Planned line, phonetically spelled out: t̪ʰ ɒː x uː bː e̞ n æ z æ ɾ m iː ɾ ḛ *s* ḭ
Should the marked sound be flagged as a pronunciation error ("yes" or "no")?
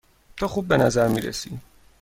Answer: no